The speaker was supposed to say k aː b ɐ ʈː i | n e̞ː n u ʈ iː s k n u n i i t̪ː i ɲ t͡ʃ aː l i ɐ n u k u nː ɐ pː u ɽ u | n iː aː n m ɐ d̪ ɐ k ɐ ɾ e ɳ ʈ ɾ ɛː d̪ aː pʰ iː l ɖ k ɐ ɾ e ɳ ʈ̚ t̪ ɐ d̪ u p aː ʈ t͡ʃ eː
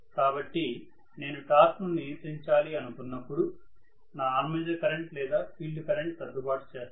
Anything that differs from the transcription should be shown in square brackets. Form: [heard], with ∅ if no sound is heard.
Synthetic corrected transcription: k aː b ɐ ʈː i | n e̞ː n u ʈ [aː] s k n u n i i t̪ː i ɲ t͡ʃ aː l i ɐ n u k u nː ɐ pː u ɽ u | n [aː] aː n m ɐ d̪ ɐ k ɐ ɾ e ɳ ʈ [l] ɛː d̪ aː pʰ iː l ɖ k ɐ ɾ e ɳ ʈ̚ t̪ ɐ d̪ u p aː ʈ t͡ʃ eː